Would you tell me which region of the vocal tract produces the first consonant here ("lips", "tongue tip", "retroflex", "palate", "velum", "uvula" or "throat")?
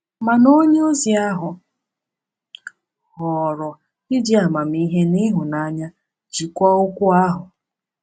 lips